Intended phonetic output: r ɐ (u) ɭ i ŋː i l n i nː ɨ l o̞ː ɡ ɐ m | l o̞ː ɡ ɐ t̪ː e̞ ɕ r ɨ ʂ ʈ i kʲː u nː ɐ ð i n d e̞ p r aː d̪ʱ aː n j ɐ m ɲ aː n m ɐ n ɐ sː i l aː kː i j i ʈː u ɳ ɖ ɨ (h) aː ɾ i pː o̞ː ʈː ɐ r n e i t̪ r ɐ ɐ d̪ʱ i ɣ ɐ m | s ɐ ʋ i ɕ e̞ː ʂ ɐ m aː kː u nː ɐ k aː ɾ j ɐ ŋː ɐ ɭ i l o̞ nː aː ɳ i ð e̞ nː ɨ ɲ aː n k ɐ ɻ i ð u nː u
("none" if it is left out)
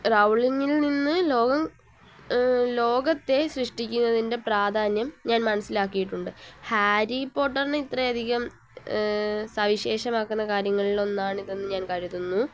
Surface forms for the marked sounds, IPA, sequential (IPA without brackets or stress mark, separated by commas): w, h